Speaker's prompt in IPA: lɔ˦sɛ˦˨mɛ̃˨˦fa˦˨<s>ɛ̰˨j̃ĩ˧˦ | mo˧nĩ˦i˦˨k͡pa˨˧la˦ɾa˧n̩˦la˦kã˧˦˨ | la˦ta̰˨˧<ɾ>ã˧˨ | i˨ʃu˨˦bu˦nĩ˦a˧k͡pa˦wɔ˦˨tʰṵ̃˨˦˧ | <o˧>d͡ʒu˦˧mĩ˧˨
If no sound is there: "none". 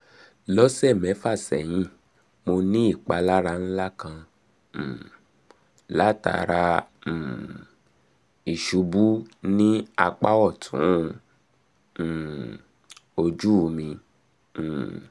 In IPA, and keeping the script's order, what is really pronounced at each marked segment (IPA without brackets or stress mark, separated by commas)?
s, ɾ, o˧